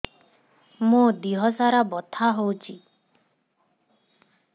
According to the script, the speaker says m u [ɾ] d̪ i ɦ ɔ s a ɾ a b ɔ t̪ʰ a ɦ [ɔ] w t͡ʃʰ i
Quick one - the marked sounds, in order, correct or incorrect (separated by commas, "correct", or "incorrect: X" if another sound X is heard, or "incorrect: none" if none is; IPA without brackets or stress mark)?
incorrect: none, incorrect: o